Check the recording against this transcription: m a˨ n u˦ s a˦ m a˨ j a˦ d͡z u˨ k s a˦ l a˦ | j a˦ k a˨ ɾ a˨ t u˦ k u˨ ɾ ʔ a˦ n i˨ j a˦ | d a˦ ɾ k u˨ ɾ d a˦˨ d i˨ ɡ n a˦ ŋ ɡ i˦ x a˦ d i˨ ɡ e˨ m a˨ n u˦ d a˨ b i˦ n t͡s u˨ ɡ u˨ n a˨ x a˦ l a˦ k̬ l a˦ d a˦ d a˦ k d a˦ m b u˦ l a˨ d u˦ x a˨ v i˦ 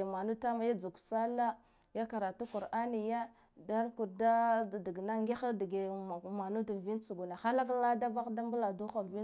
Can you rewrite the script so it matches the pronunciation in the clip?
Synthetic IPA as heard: m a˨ n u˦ t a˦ m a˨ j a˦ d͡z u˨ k s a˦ l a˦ | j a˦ k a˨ ɾ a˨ t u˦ k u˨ ɾ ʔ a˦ n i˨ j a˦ | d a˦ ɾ k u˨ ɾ d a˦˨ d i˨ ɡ n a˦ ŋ ɡ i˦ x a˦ d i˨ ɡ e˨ m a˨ n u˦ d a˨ v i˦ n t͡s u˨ ɡ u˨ n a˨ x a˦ l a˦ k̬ l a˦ d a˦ b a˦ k d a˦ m b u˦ l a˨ d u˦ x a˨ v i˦